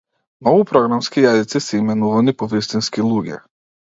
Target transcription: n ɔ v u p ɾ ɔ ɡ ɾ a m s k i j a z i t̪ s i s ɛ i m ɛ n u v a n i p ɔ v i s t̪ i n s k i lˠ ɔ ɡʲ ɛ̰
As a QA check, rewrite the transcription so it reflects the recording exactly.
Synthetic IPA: n ɔ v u p ɾ ɔ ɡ ɾ a m s k i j a z i t̪ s i s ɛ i m ɛ n u v a n i p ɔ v i s t̪ i n s k i lˠ u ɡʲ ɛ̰